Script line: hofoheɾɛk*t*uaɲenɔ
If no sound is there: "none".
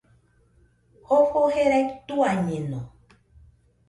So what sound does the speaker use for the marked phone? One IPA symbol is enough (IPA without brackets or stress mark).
t